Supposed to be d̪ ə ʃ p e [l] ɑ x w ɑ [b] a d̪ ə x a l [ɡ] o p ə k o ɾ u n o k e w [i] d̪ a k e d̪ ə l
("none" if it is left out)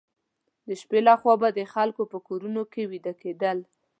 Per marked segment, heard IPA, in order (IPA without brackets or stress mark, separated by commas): l, b, k, i